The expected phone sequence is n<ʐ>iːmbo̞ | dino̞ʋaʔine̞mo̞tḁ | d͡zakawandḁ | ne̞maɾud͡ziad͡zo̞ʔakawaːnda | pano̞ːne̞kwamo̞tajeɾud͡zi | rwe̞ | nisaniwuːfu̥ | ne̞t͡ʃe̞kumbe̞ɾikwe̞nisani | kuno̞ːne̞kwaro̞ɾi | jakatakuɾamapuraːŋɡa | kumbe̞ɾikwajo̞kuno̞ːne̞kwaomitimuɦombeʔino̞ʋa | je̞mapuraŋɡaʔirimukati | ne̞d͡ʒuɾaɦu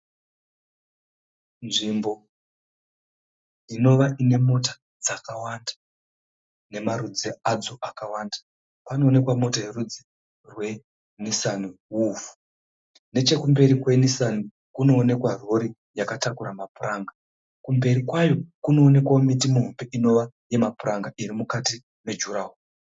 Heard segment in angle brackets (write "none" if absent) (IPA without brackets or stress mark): ʐ